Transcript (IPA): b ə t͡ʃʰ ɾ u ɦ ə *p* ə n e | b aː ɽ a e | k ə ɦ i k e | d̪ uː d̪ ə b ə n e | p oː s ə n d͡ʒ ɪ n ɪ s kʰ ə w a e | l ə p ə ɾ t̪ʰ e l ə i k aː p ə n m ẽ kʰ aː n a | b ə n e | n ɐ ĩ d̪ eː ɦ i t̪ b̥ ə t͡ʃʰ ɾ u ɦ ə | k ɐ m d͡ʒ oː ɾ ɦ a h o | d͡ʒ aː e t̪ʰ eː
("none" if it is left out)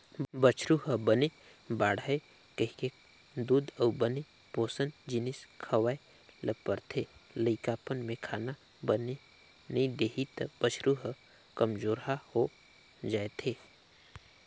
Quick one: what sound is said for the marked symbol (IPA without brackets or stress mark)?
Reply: b